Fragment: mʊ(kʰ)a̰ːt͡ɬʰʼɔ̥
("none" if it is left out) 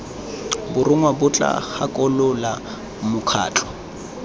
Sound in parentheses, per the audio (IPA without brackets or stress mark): kʰ